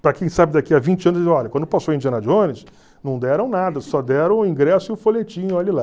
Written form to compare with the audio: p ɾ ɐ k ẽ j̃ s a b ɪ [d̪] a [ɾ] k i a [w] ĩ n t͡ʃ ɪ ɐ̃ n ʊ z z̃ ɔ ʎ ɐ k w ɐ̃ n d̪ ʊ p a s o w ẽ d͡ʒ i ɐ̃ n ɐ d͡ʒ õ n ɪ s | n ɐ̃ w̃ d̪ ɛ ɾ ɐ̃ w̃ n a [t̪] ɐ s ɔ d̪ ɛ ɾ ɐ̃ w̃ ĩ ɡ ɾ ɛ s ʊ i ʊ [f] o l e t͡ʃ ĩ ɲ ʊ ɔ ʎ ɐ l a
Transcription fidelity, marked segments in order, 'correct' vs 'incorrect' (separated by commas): correct, incorrect, incorrect, incorrect, correct